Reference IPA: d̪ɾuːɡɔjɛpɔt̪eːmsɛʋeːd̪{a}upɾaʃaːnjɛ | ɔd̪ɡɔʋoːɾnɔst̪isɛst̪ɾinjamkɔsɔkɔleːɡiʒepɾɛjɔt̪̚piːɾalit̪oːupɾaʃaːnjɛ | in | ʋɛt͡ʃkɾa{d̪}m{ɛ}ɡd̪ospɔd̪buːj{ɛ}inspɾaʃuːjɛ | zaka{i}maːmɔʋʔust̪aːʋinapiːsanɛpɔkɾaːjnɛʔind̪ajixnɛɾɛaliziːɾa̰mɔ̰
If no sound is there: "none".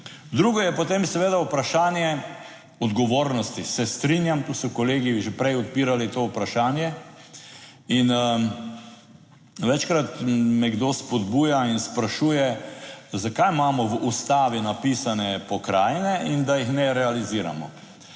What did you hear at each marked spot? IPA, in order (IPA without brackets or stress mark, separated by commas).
a, t̪, ɛ, a, j